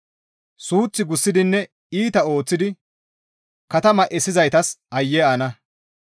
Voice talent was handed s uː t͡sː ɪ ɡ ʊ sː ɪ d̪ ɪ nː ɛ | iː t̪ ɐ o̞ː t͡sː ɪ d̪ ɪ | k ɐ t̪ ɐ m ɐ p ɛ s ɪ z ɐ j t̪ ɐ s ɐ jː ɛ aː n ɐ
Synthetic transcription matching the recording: s uː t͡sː ɪ ɡ ʊ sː ɪ d̪ ɪ nː ɛ | iː t̪ ɐ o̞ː t͡sː ɪ d̪ ɪ | k ɐ t̪ ɐ m ɐ ʔ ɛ s ɪ z ɐ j t̪ ɐ s ɐ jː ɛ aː n ɐ